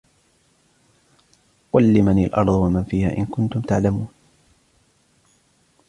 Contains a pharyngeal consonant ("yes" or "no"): yes